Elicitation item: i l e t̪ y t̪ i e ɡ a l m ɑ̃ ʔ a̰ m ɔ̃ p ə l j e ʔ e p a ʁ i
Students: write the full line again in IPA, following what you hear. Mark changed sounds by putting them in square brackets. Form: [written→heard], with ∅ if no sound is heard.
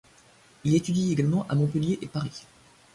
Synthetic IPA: i l e t̪ y [t̪→d̪] i e ɡ a l m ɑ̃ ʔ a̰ m ɔ̃ p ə l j e ʔ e p a ʁ i